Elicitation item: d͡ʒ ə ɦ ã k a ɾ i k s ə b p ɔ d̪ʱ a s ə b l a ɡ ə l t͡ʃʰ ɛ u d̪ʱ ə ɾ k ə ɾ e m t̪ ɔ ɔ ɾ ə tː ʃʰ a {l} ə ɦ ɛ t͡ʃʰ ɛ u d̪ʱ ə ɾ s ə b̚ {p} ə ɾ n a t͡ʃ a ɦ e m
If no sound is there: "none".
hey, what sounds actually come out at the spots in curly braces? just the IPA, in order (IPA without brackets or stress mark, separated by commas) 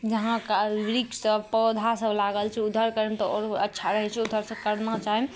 ɾ, k